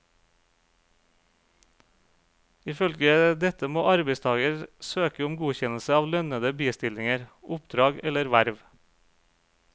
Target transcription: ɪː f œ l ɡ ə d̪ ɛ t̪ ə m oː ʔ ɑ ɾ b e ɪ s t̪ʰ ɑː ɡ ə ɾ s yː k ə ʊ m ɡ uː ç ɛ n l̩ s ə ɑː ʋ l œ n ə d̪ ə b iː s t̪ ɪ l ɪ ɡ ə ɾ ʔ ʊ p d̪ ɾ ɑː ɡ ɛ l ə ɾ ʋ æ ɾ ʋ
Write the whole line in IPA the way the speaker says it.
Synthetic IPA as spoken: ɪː f œ l ɡ ə d̪ ɛ t̪ ə m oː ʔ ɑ ɾ b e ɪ s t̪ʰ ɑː ɡ ə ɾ s øː k ə ʊ m ɡ uː ç ɛ n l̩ s ə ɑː ʋ l œ n ə d̪ ə b iː s t̪ ɪ l ɪ ŋ ə ɾ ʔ ʊ p d̪ ɾ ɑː ɡ ɛ l ə ɾ ʋ æ ɾ ʋ

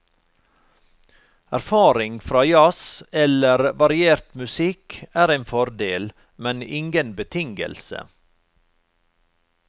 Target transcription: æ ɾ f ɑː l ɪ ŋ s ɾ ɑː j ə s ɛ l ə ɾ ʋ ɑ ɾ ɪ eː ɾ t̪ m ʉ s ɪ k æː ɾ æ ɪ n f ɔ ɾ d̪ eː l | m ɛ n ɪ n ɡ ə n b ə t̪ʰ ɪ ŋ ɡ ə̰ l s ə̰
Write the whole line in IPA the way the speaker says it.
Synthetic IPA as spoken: æ ɾ f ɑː ɾ ɪ ŋ f ɾ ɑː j ɑ s ɛ l ə ɾ ʋ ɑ ɾ ɪ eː ɾ t̪ m ʉ s ɪ k æː ɾ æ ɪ n f ɔ ɾ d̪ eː l | m ɛ n ɪ ŋ ɡ ə n b ə t̪ʰ ɪ ŋ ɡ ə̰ l s ə̰

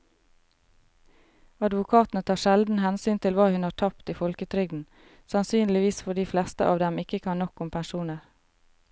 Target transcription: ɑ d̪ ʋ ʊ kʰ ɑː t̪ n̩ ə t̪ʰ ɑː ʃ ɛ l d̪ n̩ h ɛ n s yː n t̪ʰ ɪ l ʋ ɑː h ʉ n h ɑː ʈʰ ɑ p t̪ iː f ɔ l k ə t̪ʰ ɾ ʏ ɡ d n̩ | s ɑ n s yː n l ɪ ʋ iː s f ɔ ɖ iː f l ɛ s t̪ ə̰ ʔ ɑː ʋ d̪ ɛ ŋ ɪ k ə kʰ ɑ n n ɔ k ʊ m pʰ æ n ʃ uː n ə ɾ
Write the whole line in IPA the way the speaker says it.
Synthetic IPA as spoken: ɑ d̪ ʋ ʊ kʰ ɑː t̪ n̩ ə t̪ʰ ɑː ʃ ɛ l d̪ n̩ h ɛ n s yː n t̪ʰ ɪ l ʋ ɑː h ʉ n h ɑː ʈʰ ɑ p t̪ iː f ɔ l k ə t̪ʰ ɾ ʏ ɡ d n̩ | s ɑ n s yː n l ɪ ʋ iː s f ɔ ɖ iː f l ɛ s t̪ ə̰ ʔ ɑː ʋ d̪ ɛ m ɪ k ə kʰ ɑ n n ɔ k ʊ m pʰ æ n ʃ uː n ə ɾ

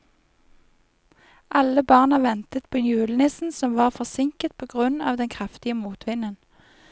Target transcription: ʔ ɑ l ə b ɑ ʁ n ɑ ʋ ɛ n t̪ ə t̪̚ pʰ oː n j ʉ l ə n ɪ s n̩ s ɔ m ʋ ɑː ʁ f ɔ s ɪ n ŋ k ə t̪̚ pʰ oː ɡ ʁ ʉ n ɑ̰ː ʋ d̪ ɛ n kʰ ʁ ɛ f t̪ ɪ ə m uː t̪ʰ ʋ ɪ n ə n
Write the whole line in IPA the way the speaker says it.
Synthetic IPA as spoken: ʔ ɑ l ə b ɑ ʁ n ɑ ʋ ɛ n t̪ ə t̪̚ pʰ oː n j ʉː l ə n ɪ s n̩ s ɔ m ʋ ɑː ʁ f ɔ s ɪ ŋ k ə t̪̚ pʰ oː ɡ ʁ ʉ n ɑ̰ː ʋ d̪ ɛ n kʰ ʁ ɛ f t̪ ɪ ə m uː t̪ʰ ʋ ɪ n ə n

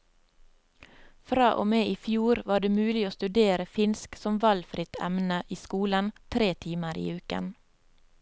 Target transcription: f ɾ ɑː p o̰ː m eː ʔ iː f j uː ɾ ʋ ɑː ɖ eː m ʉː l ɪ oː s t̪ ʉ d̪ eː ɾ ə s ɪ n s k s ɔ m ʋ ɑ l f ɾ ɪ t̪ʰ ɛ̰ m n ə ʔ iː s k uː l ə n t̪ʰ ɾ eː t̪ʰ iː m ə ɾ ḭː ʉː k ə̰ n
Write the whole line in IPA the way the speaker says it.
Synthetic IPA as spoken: f ɾ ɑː ʔ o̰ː m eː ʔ iː f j uː ɾ ʋ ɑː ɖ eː m ʉː l ɪ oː s t̪ ʉ d̪ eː ɾ ə f ɪ n s k s ɔ m ʋ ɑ l f ɾ ɪ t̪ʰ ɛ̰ m n ə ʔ iː s k uː l ə n t̪ʰ ɾ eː t̪ʰ iː m ə ɾ ḭː ʉː k ə̰ n

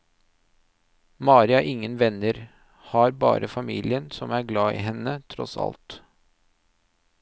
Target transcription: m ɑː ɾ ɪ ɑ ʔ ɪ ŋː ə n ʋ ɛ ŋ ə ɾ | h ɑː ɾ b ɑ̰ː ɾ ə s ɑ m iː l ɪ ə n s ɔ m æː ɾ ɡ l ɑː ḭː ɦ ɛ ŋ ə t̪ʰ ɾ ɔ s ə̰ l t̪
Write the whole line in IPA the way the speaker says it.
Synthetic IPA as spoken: m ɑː ɾ ɪ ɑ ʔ ɪ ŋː ə n ʋ ɛ n ə ɾ | h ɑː ɾ b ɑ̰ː ɾ ə f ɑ m iː l ɪ ə n s ɔ m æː ɾ ɡ l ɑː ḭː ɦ ɛ n ə t̪ʰ ɾ ɔ s ɑ̰ l t̪

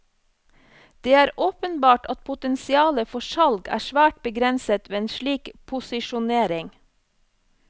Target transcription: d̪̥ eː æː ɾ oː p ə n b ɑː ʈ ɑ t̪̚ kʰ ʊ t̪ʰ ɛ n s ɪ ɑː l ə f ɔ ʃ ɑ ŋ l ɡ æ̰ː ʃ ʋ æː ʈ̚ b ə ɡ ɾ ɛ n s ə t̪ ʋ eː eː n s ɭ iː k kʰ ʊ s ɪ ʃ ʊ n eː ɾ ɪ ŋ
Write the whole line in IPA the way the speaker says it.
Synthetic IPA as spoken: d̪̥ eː æː ɾ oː p ə n b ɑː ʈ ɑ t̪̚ pʰ ʊ t̪ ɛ n s ɪ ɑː l ə f ɔ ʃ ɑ l ɡ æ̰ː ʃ ʋ æː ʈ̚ b ə ɡ ɾ ɛ n s ə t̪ ʋ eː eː n ʃ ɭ iː k pʰ ʊ s ɪ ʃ ʊ n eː ɾ ɪ ŋ

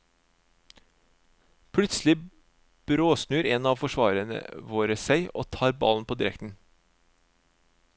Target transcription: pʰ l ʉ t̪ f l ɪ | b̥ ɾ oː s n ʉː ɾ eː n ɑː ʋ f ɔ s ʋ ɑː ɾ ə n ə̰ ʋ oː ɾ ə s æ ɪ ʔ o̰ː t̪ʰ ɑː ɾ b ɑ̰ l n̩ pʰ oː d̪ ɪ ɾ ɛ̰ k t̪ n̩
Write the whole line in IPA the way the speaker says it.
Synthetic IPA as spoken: pʰ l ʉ t̪ s l ɪ | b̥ ɾ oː s n ʉː ɾ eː n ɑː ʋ f ɔ ʃ ʋ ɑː ɾ ə n ə̰ ʋ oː ɾ ə s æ ɪ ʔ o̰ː t̪ʰ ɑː ɾ b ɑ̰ l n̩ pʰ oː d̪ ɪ ɾ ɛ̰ k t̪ n̩

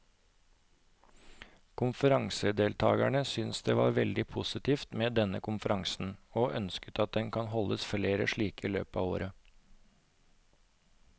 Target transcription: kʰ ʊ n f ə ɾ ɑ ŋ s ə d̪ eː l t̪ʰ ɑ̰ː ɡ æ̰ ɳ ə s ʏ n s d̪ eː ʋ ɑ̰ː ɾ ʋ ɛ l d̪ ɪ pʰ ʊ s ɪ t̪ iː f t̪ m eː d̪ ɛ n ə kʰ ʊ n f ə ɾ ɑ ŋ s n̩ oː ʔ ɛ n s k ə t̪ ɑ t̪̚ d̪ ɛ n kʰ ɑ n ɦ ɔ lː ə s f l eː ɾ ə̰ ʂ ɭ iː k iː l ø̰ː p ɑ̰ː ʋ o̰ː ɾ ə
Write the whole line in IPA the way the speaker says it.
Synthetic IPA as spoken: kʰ ʊ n f ə ɾ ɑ ŋ s ə d̪ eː l t̪ʰ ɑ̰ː ɡ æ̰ ɳ ə s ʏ n s d̪ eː ʋ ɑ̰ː ɾ ʋ ɛ l d̪ ɪ pʰ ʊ s ɪ t̪ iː f t̪ m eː d̪ ɛ n ə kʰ ʊ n f ə ɾ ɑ ŋ s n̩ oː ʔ œ n s k ə t̪ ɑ t̪̚ d̪ ɛ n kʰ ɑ n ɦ ɔ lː ə s f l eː ɾ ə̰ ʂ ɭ iː k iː l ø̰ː p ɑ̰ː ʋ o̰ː ɾ ə

